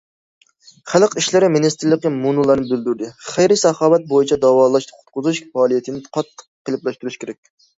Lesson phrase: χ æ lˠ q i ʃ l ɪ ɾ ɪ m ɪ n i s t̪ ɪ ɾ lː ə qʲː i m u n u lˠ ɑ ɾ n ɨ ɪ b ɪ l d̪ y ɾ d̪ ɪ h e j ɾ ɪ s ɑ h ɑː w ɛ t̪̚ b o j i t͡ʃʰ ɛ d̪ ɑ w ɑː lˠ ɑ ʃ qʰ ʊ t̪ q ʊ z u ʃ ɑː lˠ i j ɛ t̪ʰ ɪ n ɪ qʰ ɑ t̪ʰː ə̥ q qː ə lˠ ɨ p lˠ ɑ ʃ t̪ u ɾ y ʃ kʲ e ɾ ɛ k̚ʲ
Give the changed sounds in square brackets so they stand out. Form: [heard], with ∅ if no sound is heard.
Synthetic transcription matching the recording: χ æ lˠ q i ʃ l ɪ ɾ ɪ m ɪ n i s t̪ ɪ ɾ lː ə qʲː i m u n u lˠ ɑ ɾ n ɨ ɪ b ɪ l d̪ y ɾ d̪ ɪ [χ] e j ɾ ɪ s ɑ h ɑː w ɛ t̪̚ b o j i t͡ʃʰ ɛ d̪ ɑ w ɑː lˠ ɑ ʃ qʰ ʊ t̪ q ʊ z u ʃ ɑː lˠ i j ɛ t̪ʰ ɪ n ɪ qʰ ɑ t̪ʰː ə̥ q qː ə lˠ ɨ p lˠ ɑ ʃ t̪ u ɾ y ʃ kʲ e ɾ ɛ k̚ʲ